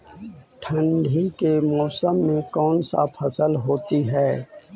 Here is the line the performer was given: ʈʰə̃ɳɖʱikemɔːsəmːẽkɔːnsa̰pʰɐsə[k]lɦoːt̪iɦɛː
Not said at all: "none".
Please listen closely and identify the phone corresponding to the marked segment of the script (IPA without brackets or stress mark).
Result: none